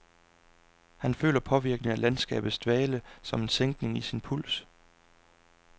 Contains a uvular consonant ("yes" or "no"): no